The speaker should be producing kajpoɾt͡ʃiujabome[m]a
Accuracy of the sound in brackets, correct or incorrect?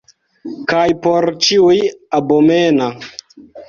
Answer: incorrect